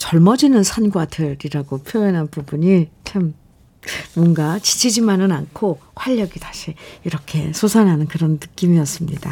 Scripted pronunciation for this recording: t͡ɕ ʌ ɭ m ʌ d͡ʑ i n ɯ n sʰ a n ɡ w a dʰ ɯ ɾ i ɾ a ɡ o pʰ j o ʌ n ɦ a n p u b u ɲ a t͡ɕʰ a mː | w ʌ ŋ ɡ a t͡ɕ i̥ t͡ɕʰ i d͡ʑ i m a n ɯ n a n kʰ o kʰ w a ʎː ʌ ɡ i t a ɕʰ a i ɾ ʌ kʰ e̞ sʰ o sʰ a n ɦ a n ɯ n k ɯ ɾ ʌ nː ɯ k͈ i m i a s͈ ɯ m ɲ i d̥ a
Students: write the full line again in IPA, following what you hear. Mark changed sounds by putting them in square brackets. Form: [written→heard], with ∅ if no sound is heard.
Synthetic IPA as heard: t͡ɕ ʌ ɭ m ʌ d͡ʑ i n ɯ n sʰ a n ɡ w a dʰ ɯ ɾ i ɾ a ɡ o pʰ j o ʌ n ɦ a n p u b u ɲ [a→i] t͡ɕʰ a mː | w ʌ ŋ ɡ a t͡ɕ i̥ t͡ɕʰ i d͡ʑ i m a n ɯ n a n kʰ o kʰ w a ʎː ʌ ɡ i t a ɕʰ [a→i] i ɾ ʌ kʰ e̞ sʰ o sʰ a n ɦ a n ɯ n k ɯ ɾ ʌ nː ɯ k͈ i m i [a→ʌ] s͈ ɯ m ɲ i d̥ a